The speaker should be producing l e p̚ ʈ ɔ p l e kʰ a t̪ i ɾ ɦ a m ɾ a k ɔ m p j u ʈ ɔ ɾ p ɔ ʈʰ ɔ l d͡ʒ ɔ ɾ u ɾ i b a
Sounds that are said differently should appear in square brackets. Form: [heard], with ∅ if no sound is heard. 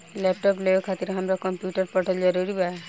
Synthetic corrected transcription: l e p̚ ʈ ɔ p l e kʰ a t̪ i ɾ ɦ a m ɾ a k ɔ m p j u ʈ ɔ ɾ p ɔ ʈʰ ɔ l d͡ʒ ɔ ɾ u ɾ i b a